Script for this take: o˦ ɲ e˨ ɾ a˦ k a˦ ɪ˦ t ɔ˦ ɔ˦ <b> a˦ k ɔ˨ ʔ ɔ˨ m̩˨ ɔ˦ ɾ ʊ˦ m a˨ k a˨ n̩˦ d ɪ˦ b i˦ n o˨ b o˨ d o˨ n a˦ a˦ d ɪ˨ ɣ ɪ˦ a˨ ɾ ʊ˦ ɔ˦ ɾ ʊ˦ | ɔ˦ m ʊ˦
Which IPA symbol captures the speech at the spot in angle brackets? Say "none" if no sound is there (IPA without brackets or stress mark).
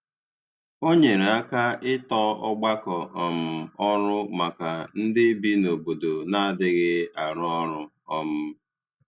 ɡ͡b